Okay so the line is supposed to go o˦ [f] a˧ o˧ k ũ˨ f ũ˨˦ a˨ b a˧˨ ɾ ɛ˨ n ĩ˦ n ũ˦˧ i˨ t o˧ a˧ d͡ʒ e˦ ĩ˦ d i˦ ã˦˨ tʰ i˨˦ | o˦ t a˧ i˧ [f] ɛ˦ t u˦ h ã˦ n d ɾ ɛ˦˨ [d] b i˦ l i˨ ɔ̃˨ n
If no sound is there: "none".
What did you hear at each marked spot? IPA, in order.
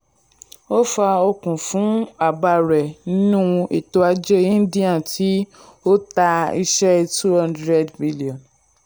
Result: f, ʃ, d

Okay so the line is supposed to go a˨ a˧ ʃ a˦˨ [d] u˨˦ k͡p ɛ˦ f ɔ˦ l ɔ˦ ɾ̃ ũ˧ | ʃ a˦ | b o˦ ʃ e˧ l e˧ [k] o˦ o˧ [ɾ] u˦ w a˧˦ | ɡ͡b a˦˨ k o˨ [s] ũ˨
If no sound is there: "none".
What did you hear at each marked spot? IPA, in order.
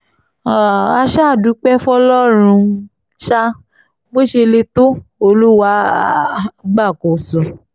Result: d, t, l, s

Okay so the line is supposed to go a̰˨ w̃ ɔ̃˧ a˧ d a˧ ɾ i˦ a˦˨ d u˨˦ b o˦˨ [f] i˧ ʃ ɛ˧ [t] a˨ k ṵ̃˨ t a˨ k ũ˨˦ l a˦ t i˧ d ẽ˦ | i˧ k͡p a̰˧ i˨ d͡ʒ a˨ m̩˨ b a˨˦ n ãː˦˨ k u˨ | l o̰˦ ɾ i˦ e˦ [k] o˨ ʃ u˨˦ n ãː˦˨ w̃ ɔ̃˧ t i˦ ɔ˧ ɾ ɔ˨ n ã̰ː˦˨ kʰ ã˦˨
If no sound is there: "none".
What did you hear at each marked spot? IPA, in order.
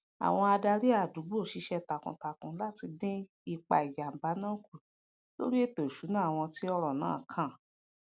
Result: ʃ, t, t

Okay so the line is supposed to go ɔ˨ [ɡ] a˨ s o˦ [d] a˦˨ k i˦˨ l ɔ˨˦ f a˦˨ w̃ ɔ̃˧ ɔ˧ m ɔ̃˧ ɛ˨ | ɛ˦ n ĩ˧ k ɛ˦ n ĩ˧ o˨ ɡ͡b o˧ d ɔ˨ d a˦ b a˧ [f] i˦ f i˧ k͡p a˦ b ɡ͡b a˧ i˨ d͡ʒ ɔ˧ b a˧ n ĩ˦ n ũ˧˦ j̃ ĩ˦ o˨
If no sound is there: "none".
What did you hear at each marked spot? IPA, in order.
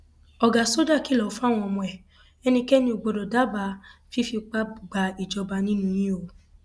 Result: ɡ, d, f

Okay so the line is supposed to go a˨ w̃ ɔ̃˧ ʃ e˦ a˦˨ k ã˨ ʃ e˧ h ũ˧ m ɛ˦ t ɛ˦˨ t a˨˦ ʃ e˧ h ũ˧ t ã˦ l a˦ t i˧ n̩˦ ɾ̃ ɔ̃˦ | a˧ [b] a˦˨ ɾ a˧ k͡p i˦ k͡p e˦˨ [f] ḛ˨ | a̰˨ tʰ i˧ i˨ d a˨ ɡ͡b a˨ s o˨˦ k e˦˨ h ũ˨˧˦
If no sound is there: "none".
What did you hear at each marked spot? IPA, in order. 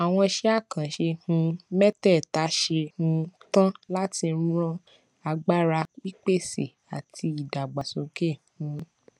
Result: ɡ͡b, s

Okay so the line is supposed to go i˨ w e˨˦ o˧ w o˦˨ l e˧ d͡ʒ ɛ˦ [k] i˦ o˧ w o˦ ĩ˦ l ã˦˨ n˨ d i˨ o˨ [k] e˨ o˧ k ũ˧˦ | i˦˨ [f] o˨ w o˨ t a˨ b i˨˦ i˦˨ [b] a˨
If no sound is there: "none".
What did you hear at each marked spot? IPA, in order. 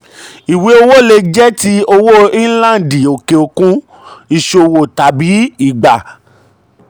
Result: t, k, ʃ, ɡ͡b

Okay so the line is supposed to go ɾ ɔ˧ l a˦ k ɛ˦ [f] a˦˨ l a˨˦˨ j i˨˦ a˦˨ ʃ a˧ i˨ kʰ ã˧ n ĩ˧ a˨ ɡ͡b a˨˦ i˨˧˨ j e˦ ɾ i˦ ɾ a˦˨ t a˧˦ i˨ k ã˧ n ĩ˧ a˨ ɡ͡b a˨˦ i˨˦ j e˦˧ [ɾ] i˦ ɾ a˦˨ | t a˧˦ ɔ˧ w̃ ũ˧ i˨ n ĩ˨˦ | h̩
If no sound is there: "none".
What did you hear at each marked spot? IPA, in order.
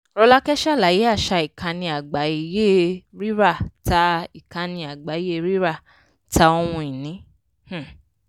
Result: ʃ, ɾ

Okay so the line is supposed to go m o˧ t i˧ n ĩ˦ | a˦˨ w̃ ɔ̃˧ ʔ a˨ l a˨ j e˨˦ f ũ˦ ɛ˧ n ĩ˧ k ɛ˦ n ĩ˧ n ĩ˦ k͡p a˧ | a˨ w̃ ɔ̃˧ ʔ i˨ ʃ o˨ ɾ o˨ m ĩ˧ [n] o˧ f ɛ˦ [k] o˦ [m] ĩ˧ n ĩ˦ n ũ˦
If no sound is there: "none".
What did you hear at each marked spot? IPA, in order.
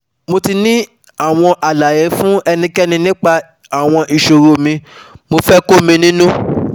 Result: m, k, m

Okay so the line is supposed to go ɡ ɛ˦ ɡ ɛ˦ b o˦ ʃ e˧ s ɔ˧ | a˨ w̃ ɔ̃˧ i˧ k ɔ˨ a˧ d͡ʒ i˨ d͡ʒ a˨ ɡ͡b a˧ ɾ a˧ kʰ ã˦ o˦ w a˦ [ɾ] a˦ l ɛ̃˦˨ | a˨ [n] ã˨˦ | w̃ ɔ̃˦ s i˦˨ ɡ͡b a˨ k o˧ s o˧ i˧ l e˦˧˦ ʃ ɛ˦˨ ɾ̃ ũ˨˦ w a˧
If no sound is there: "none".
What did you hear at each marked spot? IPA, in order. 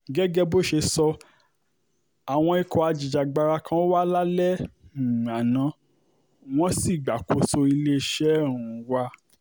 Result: l, n

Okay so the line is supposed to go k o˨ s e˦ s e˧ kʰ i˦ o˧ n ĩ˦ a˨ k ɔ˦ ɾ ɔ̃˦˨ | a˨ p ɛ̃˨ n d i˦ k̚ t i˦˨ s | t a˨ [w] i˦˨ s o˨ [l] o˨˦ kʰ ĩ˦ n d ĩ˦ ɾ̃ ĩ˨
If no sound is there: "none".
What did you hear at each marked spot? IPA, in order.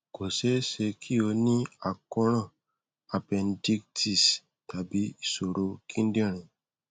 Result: b, ɾ

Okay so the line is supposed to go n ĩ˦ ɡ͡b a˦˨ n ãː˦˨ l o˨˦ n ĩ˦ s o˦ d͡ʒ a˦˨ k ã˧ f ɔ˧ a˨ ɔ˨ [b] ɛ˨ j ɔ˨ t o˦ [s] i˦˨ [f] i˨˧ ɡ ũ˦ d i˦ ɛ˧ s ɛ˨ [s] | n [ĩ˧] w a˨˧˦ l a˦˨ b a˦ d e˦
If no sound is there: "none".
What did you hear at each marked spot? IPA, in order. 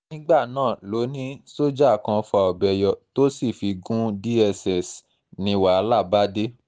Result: b, s, f, s, ĩ˧

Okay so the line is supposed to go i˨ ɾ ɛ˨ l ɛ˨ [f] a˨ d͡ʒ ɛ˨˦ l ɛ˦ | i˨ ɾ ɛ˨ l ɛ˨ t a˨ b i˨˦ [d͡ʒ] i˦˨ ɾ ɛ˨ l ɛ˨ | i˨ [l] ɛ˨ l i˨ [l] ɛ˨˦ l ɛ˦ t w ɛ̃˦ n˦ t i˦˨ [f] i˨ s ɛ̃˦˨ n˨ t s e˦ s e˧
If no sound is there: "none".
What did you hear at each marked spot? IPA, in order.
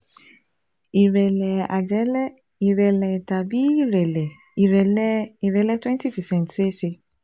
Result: none, none, ɾ, ɾ, f

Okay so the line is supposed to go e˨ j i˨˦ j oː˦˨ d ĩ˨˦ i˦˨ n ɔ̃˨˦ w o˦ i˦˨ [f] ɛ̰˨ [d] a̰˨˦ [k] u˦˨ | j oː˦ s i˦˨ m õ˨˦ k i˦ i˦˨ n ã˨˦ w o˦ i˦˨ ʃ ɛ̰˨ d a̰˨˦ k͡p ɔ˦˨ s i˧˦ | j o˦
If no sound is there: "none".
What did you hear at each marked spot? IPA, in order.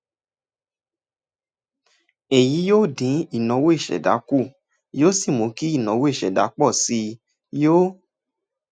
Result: ʃ, d, k

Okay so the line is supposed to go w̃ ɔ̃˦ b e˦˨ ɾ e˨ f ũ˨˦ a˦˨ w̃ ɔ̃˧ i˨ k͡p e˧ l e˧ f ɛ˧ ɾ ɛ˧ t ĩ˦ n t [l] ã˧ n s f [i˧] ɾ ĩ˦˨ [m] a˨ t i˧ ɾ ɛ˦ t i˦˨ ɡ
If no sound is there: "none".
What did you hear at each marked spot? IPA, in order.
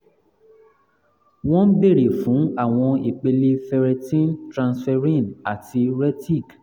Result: ɾ, ɛ˧, n

